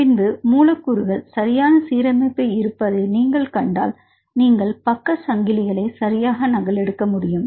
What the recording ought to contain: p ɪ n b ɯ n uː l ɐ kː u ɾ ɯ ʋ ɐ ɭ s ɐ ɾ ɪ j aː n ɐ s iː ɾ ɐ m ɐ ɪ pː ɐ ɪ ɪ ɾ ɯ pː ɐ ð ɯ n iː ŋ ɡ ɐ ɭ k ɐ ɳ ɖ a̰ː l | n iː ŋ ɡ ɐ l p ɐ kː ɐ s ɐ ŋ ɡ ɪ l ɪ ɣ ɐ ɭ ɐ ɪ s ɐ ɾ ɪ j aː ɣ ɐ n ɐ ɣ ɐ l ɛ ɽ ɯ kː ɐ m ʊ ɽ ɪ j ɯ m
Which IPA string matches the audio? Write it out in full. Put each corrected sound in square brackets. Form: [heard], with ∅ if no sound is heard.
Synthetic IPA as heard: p ɪ n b ɯ [m] uː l ɐ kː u ɾ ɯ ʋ ɐ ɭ s ɐ ɾ ɪ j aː n ɐ s iː ɾ ɐ m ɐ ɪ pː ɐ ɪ ɪ ɾ ɯ pː ɐ ð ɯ n iː ŋ ɡ ɐ ɭ k ɐ ɳ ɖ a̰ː l | n iː ŋ ɡ ɐ [ɭ] p ɐ kː ɐ s ɐ ŋ ɡ ɪ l ɪ ɣ ɐ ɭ ɐ ɪ s ɐ ɾ ɪ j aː ɣ ɐ n ɐ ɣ ɐ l ɛ ɽ ɯ kː ɐ m ʊ ɽ ɪ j ɯ m